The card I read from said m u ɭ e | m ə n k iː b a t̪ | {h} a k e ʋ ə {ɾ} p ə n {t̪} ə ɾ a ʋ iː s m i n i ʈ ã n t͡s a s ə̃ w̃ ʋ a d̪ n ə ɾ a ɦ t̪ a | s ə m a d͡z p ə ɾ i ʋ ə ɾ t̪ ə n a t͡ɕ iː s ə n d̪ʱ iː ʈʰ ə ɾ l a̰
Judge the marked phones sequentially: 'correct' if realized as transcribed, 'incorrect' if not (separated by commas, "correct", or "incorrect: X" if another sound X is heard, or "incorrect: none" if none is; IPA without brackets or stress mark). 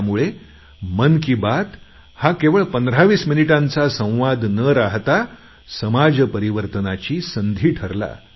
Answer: correct, incorrect: ɭ, incorrect: d̪